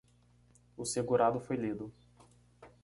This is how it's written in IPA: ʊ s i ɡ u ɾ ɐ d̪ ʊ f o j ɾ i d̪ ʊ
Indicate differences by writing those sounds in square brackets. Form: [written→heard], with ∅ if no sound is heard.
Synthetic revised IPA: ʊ s [i→e] ɡ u ɾ [ɐ→a] d̪ ʊ f o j [ɾ→l] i d̪ ʊ